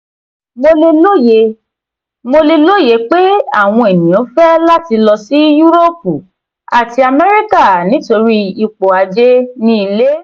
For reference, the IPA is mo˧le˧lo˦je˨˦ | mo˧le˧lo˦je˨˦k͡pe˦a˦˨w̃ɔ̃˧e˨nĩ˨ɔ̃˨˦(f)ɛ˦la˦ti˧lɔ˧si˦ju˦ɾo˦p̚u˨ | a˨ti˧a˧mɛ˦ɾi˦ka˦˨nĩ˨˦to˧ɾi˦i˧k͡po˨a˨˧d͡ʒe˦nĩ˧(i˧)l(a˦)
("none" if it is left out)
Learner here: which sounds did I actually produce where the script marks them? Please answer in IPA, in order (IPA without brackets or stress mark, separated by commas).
f, i˧, e˦